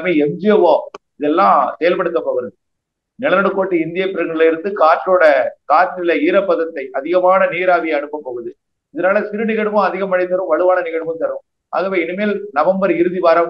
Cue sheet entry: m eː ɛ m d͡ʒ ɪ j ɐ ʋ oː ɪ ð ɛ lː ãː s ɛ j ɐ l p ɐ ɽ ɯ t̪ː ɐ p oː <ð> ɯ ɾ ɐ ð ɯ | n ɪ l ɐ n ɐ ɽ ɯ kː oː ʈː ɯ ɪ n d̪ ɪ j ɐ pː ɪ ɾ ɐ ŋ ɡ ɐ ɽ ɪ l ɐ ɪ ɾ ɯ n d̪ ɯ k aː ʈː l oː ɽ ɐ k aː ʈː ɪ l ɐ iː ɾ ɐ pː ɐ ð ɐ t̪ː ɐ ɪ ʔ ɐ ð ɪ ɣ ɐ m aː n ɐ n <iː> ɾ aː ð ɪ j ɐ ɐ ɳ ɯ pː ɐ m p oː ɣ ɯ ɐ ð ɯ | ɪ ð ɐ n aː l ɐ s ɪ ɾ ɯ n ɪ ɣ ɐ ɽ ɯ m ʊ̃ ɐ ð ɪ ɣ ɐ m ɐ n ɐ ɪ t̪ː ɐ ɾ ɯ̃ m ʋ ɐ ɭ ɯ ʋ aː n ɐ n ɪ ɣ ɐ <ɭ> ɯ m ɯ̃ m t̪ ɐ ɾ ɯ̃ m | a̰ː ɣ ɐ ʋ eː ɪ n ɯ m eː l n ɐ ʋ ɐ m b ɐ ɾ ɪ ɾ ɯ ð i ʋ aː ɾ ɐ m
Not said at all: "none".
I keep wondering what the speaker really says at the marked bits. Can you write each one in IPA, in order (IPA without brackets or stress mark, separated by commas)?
ɣ, iː, ɽ